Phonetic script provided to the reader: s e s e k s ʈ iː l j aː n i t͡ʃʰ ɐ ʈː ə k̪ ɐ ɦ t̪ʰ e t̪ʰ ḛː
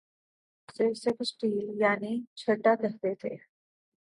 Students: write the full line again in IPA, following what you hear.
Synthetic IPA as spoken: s e s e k s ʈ iː l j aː n i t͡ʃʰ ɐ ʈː a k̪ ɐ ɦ t̪ e t̪ʰ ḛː